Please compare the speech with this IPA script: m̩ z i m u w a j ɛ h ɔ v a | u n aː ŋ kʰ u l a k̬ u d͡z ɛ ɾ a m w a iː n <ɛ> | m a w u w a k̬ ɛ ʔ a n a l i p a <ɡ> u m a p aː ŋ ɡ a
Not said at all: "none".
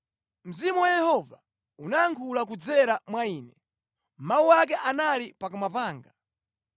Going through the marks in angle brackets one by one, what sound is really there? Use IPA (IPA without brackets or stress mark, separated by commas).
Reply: ɛ, k